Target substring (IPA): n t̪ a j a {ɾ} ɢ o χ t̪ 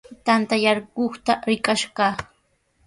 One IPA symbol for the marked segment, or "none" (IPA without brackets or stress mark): ɾ